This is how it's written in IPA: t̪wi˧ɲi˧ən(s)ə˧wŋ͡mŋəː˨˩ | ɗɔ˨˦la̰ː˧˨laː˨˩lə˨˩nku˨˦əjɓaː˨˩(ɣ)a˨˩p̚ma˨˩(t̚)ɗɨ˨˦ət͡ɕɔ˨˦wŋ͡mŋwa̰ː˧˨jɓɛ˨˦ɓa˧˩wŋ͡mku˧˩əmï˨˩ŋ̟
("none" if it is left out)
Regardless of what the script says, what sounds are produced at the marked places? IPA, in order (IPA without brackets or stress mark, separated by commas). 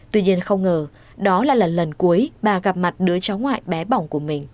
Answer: x, ɣ, t̚